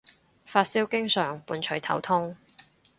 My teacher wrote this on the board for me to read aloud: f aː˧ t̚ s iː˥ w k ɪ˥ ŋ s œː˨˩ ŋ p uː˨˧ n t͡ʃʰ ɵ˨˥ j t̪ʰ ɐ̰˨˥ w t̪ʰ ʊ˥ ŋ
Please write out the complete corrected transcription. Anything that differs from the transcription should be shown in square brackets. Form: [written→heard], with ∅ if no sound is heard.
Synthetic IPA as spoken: f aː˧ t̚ s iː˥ w k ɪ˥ ŋ s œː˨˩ ŋ p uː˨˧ n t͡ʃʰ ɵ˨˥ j t̪ʰ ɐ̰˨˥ w t̪ʰ ʊ˥ ŋ